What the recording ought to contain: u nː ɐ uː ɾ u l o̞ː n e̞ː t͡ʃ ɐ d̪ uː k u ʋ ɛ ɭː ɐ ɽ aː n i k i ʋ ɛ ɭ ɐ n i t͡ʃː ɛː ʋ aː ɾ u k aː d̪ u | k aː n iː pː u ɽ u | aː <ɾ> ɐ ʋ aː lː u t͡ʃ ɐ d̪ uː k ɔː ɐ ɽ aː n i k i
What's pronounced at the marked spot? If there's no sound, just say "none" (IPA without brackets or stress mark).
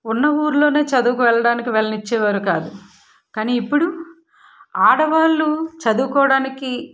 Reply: ɽ